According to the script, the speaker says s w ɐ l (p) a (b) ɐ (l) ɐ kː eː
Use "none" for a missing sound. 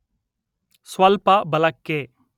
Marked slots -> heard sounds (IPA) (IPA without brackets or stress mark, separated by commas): p, b, l